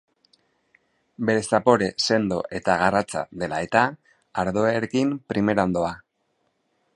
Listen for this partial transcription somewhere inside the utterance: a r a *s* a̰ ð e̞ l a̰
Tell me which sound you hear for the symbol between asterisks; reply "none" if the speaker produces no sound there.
t͡s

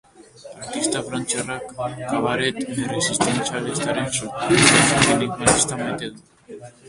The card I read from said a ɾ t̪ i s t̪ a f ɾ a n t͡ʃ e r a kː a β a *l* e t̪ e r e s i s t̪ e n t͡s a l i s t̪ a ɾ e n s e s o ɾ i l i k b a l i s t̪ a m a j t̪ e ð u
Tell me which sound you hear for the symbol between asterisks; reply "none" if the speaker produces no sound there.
ɾ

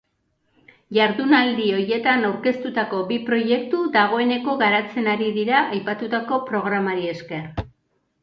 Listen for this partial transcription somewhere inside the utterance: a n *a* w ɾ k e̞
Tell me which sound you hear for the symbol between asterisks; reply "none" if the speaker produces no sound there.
a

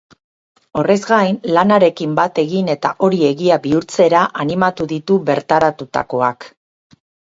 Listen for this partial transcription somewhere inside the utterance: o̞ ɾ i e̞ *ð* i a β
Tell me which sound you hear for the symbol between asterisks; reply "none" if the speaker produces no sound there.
ɣ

